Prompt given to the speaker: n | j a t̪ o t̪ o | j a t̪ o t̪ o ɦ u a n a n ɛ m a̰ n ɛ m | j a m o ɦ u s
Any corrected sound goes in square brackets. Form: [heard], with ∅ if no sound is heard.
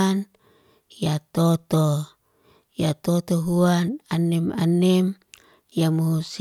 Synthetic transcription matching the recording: n | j a t̪ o t̪ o | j a t̪ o t̪ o ɦ u a n a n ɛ m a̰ n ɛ m | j a m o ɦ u s